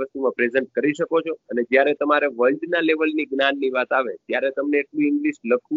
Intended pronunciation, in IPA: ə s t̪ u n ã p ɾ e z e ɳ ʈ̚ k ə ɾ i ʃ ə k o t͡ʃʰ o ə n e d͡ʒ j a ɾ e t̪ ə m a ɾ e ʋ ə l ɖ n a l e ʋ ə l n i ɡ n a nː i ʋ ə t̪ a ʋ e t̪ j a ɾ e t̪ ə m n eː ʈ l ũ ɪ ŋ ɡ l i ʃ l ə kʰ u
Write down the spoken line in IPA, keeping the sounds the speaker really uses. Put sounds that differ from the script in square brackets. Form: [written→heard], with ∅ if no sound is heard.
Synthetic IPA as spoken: ə s t̪ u [n→m] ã p ɾ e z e ɳ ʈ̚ k ə ɾ i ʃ ə k o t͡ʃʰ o ə n e d͡ʒ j a ɾ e t̪ ə m a ɾ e ʋ ə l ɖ n a l e ʋ ə l n i ɡ n a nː i ʋ [ə→a] t̪ a ʋ e t̪ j a ɾ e t̪ ə m n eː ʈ l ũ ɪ ŋ ɡ l i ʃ l ə kʰ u